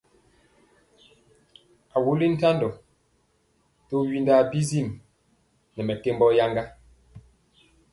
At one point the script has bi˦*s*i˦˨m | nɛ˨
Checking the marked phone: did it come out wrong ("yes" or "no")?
yes